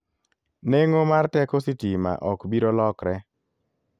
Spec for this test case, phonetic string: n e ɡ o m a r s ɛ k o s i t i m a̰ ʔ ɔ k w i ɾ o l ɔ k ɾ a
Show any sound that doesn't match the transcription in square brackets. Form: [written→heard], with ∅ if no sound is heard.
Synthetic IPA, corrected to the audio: n e [ɡ→ŋ] o m a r [s→t] ɛ k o s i t i m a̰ ʔ ɔ k [w→b] i ɾ o l ɔ k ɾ [a→ɛ]